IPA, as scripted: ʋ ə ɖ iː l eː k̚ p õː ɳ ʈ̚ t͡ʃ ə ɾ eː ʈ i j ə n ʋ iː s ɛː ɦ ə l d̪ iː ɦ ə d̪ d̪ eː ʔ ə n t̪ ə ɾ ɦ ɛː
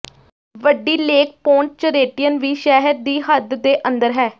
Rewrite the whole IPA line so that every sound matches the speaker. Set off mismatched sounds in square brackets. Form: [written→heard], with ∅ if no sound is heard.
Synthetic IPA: ʋ ə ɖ iː l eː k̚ p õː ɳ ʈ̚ t͡ʃ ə ɾ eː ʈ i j ə n ʋ iː [s→ʃ] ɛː ɦ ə [l→ɾ] d̪ iː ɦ ə d̪ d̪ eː ʔ ə n [t̪→d̪] ə ɾ ɦ ɛː